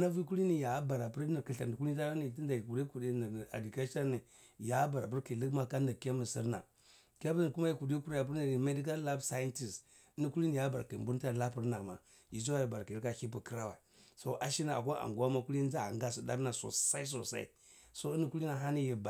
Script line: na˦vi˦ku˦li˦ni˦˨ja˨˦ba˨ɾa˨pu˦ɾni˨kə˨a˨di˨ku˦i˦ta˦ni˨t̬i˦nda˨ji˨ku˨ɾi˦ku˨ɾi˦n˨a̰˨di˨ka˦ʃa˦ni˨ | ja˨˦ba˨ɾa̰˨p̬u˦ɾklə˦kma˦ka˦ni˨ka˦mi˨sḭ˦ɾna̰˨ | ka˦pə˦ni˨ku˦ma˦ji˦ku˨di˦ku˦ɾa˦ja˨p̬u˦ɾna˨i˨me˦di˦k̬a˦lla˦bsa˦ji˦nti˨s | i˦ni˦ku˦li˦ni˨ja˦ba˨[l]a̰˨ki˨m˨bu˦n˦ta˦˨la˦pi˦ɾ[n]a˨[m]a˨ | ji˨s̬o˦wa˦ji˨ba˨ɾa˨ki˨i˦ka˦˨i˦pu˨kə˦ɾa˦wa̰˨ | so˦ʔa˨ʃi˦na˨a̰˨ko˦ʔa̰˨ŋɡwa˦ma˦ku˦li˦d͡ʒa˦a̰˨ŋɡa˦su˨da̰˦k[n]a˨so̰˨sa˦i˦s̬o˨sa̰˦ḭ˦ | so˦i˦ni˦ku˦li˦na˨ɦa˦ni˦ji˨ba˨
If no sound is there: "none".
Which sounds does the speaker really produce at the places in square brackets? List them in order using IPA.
ɾ, n, m, n

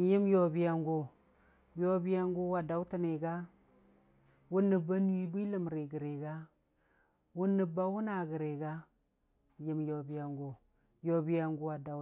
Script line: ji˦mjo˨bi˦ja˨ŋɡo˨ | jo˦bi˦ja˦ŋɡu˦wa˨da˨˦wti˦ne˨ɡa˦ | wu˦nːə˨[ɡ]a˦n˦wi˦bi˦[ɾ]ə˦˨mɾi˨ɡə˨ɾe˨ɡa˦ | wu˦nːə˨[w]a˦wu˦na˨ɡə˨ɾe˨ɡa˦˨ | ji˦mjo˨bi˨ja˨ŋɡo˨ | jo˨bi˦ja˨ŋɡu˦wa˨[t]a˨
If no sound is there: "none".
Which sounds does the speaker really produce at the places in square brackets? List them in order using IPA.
b, l, b, d

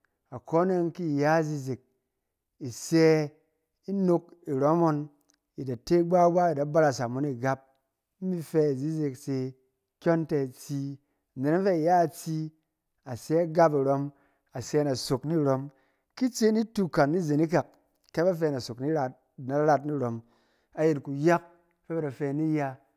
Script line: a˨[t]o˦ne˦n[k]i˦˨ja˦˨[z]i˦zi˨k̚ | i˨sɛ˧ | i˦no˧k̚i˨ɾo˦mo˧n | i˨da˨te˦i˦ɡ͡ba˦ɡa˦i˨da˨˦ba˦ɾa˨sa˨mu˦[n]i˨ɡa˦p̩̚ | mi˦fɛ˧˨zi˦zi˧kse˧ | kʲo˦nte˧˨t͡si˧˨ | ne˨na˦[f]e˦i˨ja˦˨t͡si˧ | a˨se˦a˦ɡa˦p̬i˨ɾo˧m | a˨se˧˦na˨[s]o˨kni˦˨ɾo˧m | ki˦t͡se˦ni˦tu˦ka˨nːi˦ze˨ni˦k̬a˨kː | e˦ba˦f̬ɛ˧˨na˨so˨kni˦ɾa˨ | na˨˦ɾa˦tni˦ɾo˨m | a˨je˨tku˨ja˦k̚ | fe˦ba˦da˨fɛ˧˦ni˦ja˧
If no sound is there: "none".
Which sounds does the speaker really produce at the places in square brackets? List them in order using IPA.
k, k, z, n, f, s

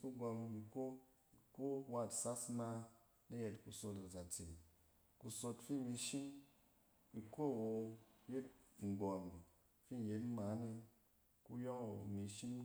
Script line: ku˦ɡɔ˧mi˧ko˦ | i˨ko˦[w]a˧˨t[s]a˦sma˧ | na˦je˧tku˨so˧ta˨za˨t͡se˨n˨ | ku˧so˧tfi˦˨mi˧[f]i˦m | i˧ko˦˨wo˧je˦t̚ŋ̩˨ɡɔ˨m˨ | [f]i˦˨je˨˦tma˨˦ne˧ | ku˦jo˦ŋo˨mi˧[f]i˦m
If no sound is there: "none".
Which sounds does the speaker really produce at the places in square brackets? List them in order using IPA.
w, s, ʃ, f, ʃ

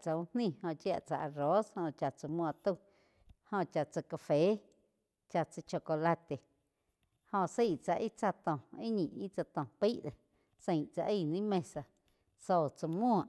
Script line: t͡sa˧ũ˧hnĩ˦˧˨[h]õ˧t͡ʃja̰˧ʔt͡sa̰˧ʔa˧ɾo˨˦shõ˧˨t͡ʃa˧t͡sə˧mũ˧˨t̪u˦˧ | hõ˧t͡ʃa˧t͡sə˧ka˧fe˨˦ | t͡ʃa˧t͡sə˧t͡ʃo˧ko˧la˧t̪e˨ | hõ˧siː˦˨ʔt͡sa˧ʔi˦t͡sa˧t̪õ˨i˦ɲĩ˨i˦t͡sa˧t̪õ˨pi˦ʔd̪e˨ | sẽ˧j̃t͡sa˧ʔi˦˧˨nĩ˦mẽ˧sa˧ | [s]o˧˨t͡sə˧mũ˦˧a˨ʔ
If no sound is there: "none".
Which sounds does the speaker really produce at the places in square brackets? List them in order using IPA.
h, s

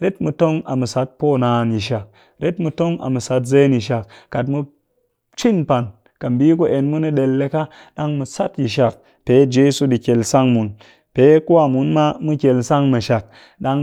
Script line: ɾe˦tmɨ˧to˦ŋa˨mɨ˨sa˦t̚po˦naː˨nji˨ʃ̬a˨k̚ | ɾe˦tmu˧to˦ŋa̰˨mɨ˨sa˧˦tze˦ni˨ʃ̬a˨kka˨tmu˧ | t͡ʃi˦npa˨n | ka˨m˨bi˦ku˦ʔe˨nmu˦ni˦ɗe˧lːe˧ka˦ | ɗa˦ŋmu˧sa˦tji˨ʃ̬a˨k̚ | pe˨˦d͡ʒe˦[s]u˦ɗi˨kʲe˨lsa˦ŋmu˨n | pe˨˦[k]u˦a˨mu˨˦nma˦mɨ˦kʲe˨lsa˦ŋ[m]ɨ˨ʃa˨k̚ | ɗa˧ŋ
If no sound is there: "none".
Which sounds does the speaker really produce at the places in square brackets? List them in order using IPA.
s, k, m

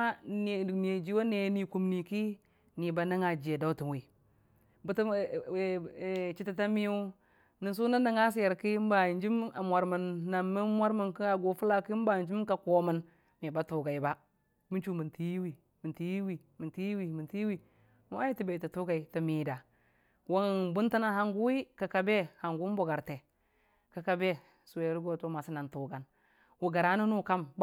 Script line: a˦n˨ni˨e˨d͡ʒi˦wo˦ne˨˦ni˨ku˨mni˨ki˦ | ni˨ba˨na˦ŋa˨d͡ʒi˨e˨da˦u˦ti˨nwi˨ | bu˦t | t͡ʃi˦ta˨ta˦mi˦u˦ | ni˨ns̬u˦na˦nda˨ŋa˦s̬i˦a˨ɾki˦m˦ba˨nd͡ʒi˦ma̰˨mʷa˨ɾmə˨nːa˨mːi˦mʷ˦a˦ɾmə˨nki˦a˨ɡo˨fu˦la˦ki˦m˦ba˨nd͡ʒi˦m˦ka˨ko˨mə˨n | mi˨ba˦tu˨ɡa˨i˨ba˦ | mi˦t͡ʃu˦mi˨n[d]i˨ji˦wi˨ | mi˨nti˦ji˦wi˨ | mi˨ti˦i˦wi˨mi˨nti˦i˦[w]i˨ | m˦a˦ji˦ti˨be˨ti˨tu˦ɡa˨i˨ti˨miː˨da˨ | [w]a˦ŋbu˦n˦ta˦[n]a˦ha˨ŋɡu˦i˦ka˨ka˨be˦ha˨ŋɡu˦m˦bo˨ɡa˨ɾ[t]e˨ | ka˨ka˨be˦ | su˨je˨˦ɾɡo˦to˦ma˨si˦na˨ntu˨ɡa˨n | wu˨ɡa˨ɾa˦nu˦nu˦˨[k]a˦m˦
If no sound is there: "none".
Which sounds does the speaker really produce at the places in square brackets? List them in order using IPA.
t, w, w, n, t, k

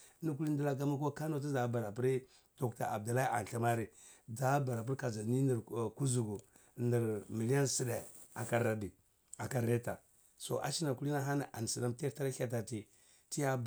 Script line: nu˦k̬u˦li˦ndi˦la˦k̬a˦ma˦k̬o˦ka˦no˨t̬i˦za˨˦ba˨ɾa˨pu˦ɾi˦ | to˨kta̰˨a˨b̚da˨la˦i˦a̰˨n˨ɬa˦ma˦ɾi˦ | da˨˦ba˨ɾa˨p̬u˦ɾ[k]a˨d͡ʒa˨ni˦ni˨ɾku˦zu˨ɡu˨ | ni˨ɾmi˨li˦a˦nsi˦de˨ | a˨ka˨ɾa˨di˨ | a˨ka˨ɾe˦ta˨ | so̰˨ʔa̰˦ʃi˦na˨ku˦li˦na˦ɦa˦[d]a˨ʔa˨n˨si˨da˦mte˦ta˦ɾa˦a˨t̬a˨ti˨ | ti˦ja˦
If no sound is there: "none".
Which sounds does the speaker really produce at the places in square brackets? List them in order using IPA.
k, n

